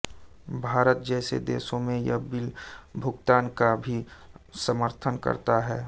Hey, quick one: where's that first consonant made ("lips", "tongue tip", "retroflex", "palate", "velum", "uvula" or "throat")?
lips